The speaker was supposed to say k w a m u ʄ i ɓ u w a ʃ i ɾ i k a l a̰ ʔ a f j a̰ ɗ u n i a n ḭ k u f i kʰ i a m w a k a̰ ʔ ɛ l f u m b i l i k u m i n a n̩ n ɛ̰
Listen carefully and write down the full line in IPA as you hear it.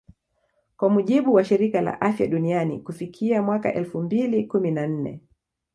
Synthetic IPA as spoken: k w a m u ʄ i ɓ u w a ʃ i ɾ i k a l a̰ ʔ a f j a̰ ɗ u n i a n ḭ k u f i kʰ i a m w a k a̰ ʔ ɛ l f u m b i l i k u m i n a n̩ n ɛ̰